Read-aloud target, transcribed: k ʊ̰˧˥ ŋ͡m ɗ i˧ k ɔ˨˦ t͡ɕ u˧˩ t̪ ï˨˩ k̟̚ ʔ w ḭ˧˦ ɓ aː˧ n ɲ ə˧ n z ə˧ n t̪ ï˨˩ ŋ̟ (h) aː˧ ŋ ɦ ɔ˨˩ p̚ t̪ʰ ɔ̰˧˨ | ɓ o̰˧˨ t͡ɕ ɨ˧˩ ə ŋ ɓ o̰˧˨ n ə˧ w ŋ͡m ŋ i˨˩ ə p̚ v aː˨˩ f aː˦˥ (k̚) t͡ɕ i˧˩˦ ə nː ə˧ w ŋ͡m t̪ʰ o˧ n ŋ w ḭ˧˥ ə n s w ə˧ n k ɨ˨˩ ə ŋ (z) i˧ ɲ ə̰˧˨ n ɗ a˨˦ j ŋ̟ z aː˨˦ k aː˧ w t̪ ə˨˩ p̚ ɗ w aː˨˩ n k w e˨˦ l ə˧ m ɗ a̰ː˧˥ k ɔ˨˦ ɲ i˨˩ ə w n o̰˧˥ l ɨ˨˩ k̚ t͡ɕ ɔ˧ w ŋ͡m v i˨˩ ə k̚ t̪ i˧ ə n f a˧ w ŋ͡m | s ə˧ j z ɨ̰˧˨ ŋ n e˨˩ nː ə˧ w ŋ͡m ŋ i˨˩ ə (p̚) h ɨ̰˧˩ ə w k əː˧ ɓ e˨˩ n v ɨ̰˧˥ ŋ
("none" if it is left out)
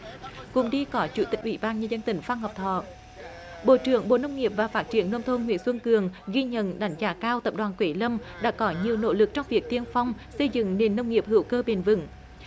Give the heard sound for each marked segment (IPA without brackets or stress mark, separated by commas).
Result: f, t̚, ɣ, p̚